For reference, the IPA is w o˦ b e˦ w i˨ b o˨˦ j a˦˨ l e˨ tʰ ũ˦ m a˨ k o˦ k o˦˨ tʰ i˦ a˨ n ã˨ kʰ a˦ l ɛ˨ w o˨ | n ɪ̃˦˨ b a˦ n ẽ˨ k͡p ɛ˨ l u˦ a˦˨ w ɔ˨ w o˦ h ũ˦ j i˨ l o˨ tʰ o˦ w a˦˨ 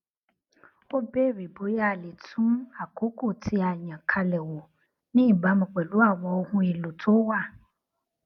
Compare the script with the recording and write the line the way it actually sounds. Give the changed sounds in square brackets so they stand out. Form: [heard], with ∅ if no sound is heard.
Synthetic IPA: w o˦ b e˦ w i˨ b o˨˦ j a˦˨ l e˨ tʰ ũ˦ m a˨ k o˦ k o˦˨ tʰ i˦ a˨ [ɲ] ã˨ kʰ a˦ l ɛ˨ w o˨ | n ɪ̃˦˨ b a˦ [m] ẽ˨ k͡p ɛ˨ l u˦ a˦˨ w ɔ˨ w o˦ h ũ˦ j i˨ l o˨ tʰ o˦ w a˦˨